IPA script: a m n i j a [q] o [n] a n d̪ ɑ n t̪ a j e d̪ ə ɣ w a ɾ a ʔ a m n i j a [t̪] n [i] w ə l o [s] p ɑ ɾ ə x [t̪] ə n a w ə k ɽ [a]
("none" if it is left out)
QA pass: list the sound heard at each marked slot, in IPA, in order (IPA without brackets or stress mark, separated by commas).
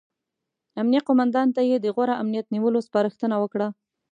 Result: q, m, t̪, i, s, t̪, a